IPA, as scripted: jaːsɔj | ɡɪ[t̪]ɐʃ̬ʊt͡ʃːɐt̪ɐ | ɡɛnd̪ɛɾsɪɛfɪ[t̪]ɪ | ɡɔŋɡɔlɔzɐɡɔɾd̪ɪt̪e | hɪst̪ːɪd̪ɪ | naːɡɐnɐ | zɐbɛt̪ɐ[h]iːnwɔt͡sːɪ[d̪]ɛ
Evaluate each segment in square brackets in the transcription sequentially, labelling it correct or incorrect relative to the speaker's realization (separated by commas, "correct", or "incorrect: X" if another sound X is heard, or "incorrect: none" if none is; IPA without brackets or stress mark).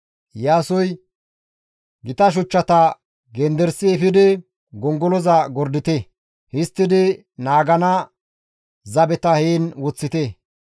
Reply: correct, incorrect: d̪, correct, incorrect: t̪